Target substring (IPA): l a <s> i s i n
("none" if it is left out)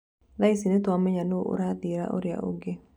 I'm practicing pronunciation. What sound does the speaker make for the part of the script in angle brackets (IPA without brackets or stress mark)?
none